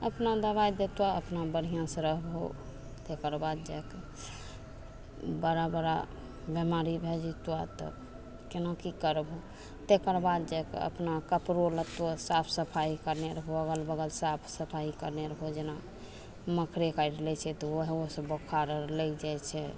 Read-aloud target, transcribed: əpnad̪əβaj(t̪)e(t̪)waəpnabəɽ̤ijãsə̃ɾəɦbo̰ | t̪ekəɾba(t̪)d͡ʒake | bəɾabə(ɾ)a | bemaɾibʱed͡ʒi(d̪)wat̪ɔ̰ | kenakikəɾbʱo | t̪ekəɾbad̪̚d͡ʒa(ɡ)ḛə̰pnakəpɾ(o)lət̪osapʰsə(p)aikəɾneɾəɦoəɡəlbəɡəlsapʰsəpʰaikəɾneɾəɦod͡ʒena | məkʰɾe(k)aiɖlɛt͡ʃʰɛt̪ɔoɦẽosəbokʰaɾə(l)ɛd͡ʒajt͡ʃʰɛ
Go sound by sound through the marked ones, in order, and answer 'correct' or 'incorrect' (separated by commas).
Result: incorrect, correct, incorrect, correct, incorrect, incorrect, correct, incorrect, correct, correct